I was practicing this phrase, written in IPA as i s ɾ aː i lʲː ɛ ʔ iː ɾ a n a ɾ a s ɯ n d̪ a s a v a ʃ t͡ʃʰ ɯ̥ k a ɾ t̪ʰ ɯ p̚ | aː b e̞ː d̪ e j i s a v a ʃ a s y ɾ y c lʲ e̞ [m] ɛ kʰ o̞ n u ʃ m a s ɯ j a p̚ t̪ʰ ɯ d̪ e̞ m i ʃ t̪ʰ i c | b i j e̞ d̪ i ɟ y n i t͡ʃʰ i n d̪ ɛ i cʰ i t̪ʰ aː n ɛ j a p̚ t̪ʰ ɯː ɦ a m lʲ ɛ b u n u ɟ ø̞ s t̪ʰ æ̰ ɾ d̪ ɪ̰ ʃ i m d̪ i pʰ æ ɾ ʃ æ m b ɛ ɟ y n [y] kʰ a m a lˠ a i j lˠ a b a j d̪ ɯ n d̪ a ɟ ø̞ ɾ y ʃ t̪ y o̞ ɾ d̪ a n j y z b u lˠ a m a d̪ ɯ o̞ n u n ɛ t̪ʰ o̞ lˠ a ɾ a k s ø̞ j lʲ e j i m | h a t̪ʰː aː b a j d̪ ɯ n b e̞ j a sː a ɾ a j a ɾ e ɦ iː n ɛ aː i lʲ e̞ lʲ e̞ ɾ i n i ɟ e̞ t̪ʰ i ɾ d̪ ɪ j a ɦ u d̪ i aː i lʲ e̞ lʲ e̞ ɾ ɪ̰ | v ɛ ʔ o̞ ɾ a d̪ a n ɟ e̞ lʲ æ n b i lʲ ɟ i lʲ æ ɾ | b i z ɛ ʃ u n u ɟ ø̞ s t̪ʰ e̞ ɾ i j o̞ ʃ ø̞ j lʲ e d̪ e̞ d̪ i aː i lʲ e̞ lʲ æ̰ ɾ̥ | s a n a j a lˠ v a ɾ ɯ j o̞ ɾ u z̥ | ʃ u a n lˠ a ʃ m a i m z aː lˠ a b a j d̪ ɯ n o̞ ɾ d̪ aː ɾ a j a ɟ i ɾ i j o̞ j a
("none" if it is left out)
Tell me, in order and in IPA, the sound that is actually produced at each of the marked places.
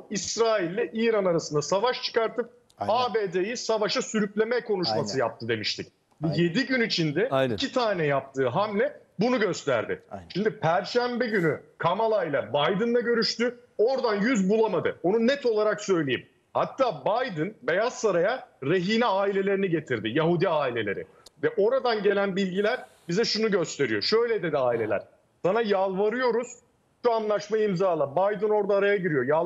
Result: m, y

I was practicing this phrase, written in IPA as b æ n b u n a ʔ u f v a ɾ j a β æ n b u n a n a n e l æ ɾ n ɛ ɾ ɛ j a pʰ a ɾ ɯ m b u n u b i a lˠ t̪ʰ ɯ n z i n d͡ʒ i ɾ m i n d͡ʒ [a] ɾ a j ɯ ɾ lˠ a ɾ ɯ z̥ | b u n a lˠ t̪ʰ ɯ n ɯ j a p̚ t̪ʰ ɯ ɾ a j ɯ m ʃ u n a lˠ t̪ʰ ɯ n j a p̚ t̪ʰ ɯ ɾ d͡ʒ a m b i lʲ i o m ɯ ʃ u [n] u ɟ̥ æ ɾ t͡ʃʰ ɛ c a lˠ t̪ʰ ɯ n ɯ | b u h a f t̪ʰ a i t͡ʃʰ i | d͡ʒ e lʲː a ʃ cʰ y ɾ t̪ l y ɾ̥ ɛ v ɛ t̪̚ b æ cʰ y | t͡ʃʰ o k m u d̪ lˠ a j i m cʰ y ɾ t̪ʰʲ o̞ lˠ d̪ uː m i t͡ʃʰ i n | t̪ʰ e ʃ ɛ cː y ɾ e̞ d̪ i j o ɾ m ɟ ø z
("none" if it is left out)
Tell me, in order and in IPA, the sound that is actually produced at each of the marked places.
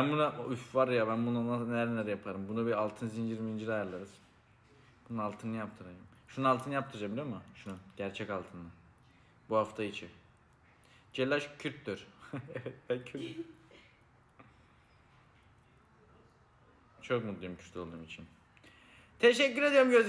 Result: i, n

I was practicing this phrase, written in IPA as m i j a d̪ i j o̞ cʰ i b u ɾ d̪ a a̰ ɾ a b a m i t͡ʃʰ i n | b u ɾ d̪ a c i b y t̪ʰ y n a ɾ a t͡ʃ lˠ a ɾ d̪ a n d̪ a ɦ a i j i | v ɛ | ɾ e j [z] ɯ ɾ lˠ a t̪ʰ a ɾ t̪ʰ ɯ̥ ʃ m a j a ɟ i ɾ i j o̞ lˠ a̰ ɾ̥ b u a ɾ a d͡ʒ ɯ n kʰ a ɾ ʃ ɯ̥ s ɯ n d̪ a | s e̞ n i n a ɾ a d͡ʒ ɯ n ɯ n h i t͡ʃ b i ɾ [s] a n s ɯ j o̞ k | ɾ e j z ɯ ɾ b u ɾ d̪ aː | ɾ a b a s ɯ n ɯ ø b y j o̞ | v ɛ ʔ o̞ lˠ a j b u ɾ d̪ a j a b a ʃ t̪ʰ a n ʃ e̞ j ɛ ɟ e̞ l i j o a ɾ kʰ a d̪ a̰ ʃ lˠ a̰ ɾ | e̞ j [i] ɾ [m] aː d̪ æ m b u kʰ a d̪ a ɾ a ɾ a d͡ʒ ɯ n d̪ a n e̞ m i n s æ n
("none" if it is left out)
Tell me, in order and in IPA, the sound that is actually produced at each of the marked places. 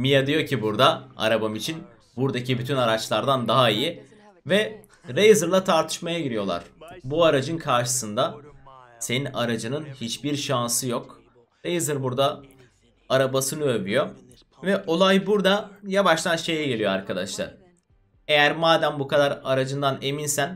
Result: z, ʃ, æ, m

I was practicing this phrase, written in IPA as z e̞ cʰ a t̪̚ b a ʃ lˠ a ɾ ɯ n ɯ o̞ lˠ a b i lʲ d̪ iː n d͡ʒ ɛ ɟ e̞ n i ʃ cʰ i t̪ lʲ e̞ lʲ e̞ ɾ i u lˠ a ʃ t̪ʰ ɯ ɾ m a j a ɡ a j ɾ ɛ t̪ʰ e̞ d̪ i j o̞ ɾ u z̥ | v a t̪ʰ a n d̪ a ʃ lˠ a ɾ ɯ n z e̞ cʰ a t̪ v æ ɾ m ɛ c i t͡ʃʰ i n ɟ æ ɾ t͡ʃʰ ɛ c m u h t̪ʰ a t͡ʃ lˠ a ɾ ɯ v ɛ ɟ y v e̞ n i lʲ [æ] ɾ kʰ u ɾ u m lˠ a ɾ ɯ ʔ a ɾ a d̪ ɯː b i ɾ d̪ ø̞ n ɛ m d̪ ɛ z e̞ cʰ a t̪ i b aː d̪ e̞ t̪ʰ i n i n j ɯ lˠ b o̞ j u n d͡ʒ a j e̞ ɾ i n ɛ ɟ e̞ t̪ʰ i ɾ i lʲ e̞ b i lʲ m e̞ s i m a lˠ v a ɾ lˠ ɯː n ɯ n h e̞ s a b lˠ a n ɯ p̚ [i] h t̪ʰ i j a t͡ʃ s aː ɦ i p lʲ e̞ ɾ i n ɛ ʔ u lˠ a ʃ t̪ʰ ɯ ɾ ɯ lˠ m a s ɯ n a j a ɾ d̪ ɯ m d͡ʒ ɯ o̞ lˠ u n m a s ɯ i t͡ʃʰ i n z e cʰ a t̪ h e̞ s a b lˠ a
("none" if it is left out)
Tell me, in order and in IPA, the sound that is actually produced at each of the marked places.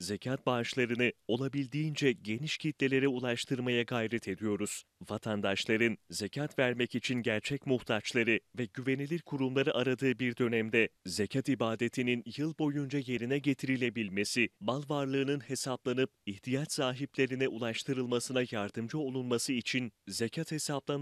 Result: i, i

